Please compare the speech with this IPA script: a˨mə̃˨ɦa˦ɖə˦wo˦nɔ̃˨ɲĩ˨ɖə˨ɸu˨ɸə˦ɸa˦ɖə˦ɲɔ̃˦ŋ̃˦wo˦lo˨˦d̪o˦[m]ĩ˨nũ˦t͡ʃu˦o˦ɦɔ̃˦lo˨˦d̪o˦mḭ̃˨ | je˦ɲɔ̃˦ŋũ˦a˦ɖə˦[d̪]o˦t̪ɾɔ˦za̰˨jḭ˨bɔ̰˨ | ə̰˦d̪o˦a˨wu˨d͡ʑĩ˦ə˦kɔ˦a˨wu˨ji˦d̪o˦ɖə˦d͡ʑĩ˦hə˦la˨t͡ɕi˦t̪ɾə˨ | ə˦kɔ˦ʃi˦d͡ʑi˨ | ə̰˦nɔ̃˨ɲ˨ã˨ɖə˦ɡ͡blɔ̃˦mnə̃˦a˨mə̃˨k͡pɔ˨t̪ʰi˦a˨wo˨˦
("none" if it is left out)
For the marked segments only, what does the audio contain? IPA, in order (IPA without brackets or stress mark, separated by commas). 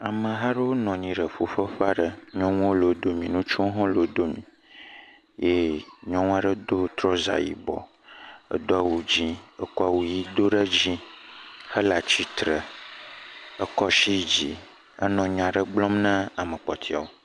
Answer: m, d̪